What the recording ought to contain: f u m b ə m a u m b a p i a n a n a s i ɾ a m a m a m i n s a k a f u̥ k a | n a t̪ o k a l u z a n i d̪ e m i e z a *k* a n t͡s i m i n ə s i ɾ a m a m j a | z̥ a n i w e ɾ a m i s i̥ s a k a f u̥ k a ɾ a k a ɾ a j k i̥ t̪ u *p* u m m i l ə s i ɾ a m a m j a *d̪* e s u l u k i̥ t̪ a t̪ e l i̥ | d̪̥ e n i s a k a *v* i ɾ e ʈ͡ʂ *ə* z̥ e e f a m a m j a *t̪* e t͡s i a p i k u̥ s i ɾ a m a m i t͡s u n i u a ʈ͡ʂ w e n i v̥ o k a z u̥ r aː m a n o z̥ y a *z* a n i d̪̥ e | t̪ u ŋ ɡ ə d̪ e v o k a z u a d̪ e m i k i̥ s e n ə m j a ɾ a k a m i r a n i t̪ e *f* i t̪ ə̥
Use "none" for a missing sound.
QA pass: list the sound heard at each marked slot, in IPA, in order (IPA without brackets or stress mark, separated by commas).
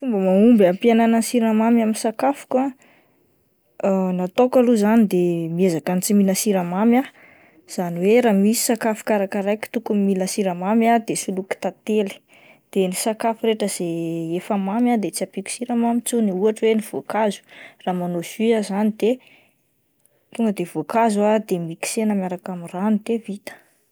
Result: k, k, d̪, f, ə, d̪, z, v